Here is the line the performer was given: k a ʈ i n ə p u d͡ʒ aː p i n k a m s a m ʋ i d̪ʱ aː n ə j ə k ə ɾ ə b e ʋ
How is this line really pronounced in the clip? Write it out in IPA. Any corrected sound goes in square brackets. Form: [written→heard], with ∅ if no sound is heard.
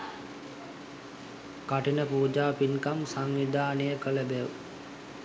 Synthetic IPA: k a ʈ i n ə p [u→uː] d͡ʒ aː p i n k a m s a [m→ŋ] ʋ i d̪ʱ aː n ə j ə k ə [ɾ→l] ə b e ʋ